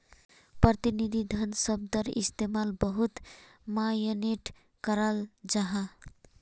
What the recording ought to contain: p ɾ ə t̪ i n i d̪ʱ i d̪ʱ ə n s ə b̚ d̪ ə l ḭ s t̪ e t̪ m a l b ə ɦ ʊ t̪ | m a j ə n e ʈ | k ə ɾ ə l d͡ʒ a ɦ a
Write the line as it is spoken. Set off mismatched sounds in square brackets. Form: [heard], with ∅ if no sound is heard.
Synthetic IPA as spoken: p ɾ ə t̪ i n i d̪ʱ i d̪ʱ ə n s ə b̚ d̪ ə [ɾ] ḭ s t̪ e [∅] m a l b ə ɦ [u] t̪ | m a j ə n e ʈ | k ə ɾ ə l d͡ʒ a ɦ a